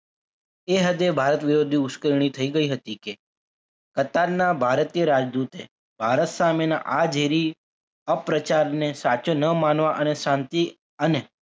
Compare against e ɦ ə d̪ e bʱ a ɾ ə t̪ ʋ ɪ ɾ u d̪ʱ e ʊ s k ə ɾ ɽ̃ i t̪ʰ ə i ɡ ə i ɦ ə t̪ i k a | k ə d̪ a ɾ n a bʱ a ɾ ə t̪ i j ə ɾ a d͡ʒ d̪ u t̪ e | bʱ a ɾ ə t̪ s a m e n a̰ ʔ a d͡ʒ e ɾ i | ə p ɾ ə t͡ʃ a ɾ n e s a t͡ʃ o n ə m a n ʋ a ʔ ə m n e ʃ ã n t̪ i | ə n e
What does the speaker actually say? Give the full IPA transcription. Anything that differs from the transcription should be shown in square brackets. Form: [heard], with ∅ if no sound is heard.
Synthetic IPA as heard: e ɦ ə d̪ e bʱ a ɾ ə t̪ ʋ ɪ ɾ [o] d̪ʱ [i] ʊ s k ə ɾ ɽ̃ i t̪ʰ ə i ɡ ə i ɦ ə t̪ i k [e] | k ə [t̪] a ɾ n a bʱ a ɾ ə t̪ i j ə ɾ a d͡ʒ d̪ u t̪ e | bʱ a ɾ ə t̪ s a m e n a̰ ʔ a d͡ʒ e ɾ i | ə p ɾ ə t͡ʃ a ɾ n e s a t͡ʃ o n ə m a n ʋ a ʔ ə [∅] n e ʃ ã n t̪ i | ə n e